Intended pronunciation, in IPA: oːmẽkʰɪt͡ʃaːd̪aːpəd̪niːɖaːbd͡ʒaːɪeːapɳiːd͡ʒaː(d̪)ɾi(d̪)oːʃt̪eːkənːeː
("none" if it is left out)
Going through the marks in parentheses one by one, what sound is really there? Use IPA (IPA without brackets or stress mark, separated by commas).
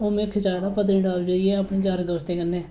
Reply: none, d̪